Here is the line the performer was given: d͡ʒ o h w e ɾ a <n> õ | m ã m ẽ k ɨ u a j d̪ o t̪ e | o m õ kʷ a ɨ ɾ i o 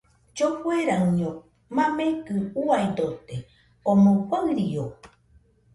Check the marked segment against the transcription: incorrect: ɲ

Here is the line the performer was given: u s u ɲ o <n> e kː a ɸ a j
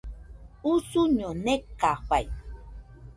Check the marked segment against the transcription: correct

